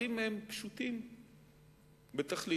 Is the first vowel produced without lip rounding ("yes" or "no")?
yes